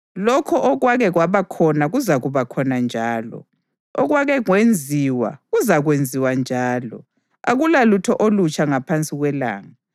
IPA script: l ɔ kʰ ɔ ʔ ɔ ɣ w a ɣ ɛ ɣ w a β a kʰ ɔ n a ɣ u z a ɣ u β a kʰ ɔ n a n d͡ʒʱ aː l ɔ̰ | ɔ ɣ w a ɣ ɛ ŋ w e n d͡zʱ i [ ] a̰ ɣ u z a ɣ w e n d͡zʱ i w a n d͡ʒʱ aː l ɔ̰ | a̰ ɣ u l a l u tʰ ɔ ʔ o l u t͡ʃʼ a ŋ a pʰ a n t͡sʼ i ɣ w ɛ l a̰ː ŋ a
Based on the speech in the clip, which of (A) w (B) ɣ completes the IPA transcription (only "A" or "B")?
A